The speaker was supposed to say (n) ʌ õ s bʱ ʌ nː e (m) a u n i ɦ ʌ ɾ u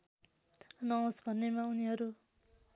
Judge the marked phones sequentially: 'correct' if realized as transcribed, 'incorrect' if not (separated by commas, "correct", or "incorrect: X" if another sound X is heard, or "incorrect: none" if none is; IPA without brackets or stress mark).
correct, correct